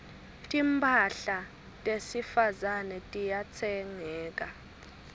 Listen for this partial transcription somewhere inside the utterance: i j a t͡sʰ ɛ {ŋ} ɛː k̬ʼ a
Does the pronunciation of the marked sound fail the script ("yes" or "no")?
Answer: no